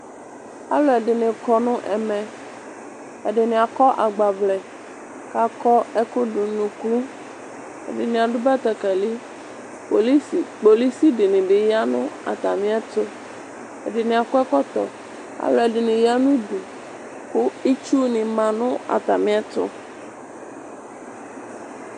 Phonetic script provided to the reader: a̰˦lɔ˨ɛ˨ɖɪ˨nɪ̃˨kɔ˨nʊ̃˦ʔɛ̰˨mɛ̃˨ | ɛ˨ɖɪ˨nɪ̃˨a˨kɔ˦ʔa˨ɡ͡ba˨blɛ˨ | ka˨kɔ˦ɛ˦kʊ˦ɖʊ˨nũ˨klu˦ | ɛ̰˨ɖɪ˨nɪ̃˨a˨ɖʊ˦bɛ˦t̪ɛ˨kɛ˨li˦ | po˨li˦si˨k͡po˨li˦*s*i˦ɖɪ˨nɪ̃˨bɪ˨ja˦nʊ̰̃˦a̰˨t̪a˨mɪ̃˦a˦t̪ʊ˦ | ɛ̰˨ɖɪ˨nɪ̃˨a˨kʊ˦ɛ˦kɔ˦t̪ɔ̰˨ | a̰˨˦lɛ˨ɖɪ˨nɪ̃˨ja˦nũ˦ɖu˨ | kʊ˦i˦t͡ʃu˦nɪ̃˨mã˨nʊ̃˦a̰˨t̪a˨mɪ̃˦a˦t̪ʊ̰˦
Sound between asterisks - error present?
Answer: no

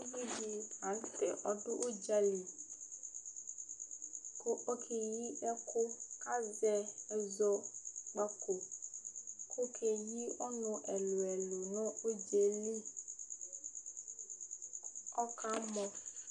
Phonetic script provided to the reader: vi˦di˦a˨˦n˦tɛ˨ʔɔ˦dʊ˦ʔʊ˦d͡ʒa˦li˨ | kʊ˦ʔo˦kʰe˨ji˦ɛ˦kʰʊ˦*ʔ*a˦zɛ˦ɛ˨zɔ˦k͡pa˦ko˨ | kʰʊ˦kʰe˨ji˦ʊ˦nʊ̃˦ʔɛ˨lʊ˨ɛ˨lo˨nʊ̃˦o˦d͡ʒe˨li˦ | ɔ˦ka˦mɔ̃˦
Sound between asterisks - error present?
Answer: yes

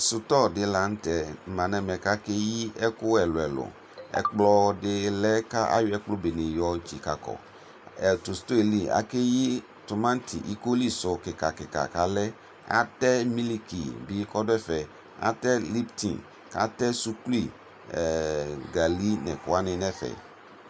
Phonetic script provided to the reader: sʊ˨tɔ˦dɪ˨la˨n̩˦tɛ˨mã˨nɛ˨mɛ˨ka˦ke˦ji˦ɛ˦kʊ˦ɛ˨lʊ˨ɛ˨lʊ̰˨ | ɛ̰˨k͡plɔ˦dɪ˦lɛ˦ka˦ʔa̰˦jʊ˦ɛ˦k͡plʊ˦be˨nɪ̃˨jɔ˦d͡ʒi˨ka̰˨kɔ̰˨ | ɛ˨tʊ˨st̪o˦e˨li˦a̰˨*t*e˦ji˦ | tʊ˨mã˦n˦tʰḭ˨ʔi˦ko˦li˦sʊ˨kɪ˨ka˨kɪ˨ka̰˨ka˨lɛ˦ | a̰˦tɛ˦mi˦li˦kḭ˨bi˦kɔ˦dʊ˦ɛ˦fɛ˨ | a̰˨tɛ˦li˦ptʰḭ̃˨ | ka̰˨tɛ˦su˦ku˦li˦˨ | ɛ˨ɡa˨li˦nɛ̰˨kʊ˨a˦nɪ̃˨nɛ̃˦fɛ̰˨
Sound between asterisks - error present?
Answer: yes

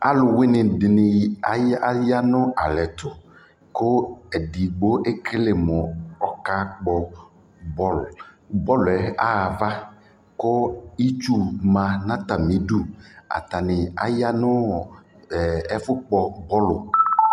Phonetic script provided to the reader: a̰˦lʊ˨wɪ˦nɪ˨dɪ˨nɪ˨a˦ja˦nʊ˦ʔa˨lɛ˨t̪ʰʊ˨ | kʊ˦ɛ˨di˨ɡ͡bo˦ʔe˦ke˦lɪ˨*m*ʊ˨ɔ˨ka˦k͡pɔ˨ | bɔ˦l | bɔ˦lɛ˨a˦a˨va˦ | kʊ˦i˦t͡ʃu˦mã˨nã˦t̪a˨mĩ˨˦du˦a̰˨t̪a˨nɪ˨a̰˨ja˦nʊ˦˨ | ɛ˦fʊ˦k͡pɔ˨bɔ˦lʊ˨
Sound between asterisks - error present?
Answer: no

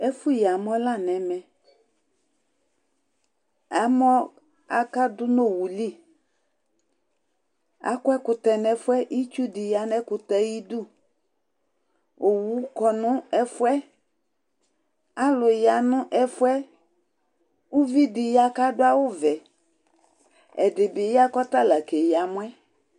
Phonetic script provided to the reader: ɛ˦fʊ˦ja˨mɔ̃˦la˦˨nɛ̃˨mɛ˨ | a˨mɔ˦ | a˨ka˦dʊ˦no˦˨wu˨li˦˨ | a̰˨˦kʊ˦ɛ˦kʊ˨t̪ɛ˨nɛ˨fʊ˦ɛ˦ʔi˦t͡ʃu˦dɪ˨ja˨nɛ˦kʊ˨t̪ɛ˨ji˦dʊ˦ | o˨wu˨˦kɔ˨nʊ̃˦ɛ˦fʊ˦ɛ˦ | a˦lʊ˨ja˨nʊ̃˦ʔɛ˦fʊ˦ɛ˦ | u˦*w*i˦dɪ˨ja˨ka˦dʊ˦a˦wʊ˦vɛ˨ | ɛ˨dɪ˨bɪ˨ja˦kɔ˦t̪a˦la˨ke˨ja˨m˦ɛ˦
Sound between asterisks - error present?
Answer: yes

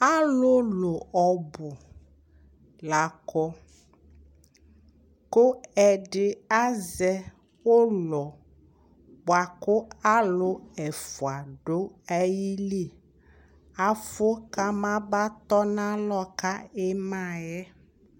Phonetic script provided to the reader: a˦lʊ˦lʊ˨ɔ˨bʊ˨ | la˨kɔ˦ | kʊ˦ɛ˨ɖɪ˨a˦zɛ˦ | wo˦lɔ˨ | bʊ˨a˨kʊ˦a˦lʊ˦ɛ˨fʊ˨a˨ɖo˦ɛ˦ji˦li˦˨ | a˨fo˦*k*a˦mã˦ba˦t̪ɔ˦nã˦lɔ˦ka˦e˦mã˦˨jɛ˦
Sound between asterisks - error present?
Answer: no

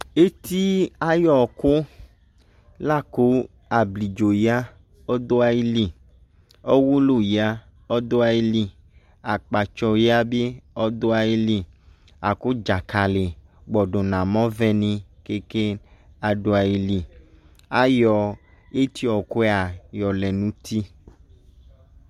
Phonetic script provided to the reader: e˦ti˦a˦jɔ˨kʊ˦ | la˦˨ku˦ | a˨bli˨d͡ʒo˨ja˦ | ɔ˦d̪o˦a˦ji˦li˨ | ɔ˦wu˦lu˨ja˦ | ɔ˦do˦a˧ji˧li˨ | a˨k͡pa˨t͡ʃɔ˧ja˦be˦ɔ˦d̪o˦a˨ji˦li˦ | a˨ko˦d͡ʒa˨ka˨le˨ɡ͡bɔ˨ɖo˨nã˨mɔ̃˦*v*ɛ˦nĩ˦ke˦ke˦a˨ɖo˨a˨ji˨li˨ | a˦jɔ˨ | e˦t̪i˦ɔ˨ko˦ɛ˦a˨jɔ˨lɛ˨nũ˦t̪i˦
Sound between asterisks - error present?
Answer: no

